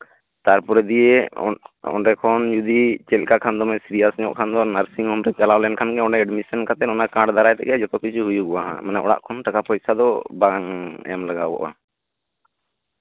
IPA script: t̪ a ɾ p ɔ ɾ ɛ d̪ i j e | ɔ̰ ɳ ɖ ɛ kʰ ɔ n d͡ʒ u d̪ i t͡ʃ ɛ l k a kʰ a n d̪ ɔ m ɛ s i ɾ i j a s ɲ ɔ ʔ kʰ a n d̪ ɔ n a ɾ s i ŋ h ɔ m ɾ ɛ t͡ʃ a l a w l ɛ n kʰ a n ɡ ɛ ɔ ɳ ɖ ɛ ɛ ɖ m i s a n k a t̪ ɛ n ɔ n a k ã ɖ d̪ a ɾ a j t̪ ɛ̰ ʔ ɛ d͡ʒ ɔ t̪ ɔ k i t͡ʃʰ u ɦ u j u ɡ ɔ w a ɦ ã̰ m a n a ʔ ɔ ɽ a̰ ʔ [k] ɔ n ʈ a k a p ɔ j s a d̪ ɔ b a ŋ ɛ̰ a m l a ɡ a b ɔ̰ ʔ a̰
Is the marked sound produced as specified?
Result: no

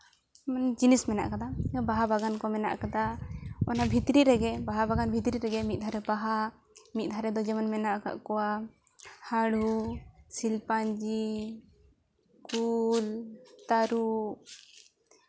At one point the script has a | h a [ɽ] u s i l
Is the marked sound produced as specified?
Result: yes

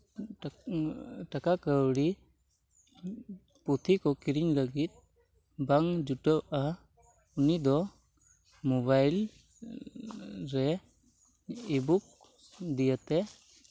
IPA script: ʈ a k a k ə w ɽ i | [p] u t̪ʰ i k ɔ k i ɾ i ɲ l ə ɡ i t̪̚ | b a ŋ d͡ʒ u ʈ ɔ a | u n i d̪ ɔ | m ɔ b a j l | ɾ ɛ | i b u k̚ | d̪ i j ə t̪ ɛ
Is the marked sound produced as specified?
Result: yes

